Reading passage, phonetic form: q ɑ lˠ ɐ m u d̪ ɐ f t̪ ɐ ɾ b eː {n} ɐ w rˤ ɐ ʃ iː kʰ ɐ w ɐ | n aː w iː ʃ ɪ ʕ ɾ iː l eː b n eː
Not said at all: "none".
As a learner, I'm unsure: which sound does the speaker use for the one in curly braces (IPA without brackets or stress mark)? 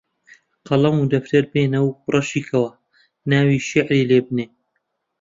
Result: n